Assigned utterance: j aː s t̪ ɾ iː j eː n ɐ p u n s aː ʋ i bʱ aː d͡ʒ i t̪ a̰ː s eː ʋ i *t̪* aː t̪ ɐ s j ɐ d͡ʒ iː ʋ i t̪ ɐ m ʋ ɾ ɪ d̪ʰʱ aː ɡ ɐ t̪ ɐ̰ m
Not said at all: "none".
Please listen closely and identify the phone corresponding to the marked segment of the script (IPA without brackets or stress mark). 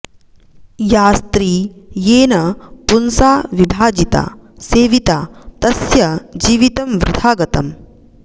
t̪